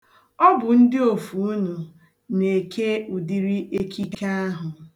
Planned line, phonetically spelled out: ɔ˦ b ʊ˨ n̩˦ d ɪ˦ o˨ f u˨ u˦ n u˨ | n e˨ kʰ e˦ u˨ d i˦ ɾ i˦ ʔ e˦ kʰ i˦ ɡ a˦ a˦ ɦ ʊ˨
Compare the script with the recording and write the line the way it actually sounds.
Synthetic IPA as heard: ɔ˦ b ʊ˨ n̩˦ d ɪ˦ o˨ f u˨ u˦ n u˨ | n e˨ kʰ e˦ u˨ d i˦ ɾ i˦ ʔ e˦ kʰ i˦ k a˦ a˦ ɦ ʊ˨